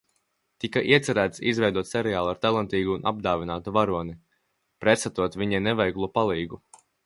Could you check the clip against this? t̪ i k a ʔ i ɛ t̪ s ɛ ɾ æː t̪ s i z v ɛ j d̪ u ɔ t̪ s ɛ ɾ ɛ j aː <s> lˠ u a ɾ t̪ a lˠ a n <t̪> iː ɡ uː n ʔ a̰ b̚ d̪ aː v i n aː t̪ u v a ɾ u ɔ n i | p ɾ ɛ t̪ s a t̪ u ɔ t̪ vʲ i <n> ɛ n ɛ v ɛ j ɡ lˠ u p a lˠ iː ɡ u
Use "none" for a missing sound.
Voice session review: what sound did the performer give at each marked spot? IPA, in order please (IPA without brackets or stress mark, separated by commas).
none, t̪, ɲ